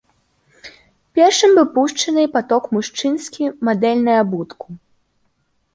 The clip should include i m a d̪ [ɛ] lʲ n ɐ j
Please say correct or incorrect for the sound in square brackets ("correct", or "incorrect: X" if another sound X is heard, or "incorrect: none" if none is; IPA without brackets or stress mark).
correct